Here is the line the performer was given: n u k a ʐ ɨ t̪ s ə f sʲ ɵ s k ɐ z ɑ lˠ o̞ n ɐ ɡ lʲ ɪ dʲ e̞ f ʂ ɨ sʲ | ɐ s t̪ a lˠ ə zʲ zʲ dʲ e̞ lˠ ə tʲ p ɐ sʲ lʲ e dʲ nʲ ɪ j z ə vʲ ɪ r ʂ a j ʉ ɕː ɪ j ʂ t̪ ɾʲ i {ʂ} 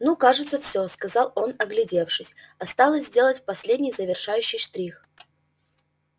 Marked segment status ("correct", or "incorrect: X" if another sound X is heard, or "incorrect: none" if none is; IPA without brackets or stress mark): incorrect: x